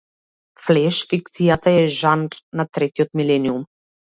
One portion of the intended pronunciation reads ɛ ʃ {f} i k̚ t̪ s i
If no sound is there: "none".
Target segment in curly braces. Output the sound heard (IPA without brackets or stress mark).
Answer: f